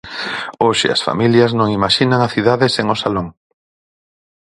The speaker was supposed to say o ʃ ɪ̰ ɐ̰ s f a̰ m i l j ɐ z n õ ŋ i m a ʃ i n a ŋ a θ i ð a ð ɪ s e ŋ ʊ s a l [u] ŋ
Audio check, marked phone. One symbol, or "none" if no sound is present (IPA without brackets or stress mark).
o